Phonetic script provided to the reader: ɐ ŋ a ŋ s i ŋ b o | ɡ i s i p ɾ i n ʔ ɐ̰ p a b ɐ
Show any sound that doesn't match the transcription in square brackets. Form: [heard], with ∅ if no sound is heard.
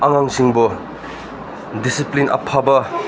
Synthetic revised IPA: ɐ ŋ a ŋ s i ŋ b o | [d] i s i p [l] i n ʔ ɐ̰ [pʰ] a b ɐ